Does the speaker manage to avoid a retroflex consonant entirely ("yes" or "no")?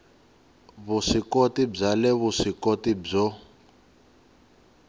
no